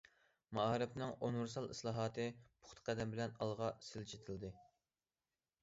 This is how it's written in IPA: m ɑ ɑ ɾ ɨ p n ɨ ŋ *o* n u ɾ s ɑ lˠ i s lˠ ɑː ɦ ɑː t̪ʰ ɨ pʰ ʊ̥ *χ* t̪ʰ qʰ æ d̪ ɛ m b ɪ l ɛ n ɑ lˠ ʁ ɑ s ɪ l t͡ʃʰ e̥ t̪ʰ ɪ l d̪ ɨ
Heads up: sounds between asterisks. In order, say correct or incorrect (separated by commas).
correct, correct